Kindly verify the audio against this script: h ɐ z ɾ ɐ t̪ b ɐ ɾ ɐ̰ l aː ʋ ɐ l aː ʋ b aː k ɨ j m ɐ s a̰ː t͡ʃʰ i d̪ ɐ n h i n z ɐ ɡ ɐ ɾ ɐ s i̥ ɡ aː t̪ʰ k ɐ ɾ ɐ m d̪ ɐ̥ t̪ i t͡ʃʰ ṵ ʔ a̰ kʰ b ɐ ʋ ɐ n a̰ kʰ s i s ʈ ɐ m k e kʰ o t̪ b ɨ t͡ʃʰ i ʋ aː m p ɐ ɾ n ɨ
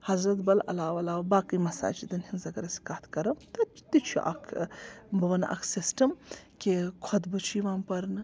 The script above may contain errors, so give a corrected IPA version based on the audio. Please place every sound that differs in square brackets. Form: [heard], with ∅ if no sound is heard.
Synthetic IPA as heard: h ɐ z ɾ ɐ t̪ b ɐ [l] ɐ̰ l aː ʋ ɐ l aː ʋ b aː k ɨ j m ɐ s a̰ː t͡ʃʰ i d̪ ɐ n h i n z ɐ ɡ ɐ ɾ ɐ s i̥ [k] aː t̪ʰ k ɐ ɾ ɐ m [t̪] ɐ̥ t̪ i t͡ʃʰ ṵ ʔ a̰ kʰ b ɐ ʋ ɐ n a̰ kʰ s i s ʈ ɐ m k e kʰ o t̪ b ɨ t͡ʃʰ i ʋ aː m p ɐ ɾ n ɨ